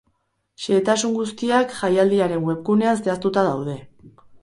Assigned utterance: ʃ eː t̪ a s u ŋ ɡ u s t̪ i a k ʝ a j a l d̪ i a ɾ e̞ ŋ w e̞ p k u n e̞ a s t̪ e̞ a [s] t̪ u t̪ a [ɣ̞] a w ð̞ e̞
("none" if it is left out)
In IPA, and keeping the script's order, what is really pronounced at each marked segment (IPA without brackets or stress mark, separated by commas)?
s, ð̞